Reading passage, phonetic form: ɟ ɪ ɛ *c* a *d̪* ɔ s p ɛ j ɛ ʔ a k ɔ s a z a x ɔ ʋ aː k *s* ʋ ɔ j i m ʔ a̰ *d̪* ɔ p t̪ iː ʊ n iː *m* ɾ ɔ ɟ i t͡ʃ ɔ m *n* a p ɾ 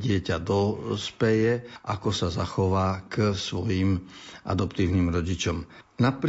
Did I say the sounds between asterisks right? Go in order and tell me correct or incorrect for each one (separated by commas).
correct, correct, correct, correct, correct, correct